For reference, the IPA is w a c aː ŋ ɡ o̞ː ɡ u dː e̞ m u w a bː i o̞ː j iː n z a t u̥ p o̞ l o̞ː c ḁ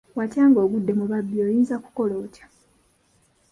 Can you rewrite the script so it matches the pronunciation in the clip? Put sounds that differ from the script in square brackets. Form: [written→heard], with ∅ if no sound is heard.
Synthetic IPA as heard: w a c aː ŋ ɡ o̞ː ɡ u dː e̞ m u [w→β] a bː i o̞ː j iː n z a [t→k] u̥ [p→k] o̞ l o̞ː c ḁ